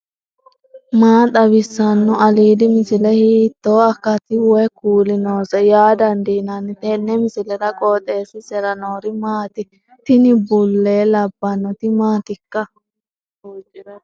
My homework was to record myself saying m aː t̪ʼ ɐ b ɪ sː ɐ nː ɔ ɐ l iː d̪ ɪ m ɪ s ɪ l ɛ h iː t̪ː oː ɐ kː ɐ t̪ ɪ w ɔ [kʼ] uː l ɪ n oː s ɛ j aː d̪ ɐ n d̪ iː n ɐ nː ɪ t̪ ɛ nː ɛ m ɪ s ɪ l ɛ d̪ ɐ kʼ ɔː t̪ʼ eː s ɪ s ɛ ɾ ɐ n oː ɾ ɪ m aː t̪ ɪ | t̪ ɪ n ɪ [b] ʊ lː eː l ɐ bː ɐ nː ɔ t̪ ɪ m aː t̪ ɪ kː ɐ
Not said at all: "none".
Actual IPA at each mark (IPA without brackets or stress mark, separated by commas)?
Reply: k, b